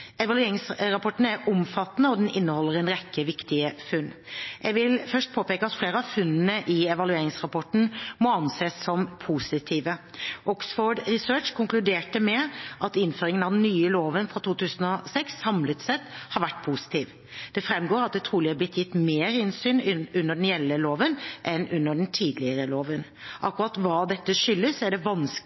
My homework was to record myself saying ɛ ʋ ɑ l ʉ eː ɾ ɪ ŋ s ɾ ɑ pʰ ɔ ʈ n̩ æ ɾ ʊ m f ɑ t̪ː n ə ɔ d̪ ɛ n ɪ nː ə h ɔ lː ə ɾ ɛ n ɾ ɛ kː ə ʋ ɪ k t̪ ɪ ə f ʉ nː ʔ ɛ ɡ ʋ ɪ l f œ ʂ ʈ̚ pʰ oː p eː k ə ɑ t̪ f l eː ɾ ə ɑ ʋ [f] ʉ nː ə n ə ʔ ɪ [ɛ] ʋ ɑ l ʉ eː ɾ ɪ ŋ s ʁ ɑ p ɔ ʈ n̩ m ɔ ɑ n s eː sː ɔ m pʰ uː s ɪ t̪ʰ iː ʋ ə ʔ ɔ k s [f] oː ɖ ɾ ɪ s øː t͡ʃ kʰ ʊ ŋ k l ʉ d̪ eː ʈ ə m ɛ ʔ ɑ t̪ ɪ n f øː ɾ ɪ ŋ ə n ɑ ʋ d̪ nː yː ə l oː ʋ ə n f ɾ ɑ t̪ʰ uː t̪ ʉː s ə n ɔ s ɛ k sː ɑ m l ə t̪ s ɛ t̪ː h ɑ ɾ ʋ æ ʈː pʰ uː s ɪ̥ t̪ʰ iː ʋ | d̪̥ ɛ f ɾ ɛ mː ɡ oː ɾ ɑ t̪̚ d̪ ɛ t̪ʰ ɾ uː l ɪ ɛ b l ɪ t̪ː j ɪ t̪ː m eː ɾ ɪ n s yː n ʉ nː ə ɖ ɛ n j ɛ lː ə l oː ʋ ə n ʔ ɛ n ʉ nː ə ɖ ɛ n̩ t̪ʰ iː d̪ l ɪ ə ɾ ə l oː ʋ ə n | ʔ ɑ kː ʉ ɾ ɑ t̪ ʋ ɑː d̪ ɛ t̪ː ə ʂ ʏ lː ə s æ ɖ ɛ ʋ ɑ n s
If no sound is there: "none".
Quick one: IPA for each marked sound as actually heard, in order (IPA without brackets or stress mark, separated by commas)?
f, ɛ, f